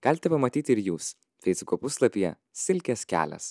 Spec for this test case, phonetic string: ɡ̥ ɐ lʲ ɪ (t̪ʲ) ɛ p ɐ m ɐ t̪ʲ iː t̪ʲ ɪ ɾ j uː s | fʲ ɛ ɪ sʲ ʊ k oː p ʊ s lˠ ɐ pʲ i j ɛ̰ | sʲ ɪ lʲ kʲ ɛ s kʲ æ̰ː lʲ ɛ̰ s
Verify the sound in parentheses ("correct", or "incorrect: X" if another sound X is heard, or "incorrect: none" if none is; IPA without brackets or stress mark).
correct